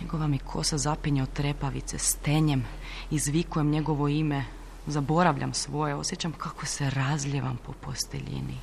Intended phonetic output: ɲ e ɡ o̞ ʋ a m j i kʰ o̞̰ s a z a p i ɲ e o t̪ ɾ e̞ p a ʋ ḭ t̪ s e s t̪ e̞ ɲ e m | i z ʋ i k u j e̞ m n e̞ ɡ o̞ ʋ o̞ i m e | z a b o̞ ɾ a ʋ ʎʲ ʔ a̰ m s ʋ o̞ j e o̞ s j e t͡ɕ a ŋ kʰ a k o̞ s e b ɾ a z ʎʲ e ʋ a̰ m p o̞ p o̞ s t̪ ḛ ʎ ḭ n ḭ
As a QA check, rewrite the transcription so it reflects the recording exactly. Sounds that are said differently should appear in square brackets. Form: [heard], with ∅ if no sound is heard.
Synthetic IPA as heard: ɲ e ɡ o̞ ʋ a m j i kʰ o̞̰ s a z a p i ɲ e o t̪ ɾ e̞ p a ʋ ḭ t̪ s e s t̪ e̞ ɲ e m | i z ʋ i k u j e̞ m [ɲ] e̞ ɡ o̞ ʋ o̞ i m e | z a b o̞ ɾ a ʋ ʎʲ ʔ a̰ m s ʋ o̞ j e o̞ s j e t͡ɕ a [m] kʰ a k o̞ s e [∅] ɾ a z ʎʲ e ʋ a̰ m p o̞ p o̞ s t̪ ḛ ʎ ḭ n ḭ